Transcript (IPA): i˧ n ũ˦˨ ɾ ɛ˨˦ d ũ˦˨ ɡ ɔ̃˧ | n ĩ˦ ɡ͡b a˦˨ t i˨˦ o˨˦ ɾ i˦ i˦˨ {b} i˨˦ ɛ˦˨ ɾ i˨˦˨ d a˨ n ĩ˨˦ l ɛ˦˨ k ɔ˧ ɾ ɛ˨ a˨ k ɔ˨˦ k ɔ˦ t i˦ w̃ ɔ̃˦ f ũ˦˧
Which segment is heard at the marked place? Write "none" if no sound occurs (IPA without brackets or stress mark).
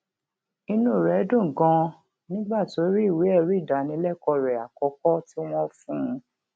w